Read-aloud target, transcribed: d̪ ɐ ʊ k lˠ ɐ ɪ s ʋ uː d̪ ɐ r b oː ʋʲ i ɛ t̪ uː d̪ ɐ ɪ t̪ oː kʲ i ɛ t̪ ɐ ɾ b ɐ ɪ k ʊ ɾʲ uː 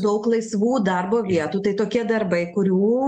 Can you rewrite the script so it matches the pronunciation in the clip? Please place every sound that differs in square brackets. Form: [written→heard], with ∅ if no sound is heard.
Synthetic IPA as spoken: d̪ ɐ ʊ k lˠ ɐ ɪ s ʋ uː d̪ ɐ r b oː ʋʲ i ɛ t̪ uː [d̪→t̪] ɐ ɪ t̪ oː kʲ i ɛ [t̪→d̪] ɐ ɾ b ɐ ɪ k ʊ ɾʲ uː